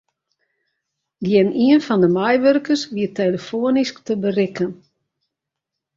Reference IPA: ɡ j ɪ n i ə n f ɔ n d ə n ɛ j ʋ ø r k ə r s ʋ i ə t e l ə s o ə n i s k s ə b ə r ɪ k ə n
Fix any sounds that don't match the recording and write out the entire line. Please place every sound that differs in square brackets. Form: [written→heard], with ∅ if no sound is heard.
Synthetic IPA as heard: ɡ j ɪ n i ə n f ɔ n d ə [n→m] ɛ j ʋ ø r k ə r s ʋ i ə t e l ə [s→f] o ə n i s k [s→t] ə b ə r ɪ k ə n